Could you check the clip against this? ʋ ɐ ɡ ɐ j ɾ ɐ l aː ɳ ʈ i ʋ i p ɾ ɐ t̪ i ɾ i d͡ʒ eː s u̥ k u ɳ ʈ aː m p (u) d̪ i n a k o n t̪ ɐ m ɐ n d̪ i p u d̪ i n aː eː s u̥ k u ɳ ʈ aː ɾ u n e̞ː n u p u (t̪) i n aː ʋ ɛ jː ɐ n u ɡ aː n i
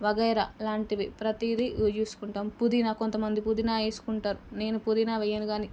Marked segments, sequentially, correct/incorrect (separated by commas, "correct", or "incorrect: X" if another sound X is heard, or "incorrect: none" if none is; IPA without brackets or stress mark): correct, incorrect: d̪